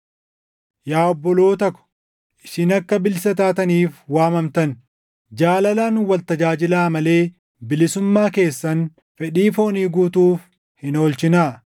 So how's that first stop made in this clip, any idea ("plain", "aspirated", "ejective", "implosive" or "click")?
plain